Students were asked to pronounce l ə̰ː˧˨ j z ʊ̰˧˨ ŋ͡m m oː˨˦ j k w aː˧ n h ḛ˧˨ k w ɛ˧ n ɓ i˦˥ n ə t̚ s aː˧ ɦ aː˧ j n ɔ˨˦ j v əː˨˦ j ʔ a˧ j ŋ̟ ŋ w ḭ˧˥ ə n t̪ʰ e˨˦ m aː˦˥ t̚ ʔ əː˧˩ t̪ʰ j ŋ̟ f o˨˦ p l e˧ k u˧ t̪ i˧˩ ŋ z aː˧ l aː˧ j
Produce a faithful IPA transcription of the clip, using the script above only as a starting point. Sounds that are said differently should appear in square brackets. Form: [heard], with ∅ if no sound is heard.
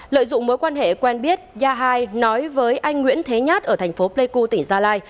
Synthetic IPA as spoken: l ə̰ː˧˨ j z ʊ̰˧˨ ŋ͡m m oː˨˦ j k w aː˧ n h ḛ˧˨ k w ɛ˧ n ɓ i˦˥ [∅] ə t̚ [z] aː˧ ɦ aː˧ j n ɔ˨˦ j v əː˨˦ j ʔ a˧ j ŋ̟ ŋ w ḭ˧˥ ə n t̪ʰ e˨˦ [ɲ] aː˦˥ t̚ ʔ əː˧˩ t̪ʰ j ŋ̟ f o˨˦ p l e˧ k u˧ t̪ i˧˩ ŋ z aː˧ l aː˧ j